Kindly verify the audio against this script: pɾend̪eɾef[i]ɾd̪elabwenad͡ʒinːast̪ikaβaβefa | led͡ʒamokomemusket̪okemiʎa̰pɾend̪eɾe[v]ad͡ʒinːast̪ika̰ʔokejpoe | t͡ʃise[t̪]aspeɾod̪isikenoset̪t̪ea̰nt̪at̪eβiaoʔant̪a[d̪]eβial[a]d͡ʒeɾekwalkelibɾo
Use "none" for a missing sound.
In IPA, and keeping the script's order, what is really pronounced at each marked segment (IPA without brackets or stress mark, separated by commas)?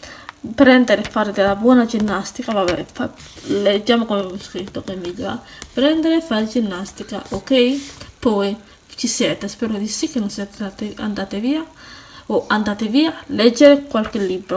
a, f, t̪, t̪, e